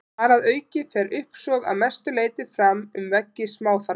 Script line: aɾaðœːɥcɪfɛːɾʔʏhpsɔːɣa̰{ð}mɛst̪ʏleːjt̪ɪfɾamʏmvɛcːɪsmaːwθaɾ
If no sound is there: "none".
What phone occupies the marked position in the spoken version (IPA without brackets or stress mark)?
ð